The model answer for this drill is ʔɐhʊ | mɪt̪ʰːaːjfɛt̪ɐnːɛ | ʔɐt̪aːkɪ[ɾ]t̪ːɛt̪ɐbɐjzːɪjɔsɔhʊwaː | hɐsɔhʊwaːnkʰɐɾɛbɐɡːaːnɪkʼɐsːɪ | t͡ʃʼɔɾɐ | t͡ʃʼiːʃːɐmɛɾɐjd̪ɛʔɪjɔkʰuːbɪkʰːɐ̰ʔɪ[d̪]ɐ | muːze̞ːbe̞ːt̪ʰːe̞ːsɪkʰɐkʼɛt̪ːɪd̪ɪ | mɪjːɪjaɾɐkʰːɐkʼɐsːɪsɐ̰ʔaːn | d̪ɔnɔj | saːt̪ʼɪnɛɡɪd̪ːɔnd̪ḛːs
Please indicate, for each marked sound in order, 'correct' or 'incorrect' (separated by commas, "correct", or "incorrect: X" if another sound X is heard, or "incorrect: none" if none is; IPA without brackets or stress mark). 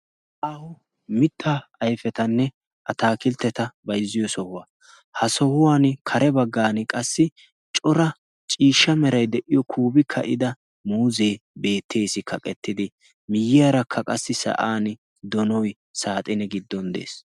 incorrect: l, correct